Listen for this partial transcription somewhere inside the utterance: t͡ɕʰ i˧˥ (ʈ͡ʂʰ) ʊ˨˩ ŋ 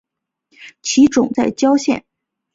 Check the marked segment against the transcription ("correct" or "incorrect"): incorrect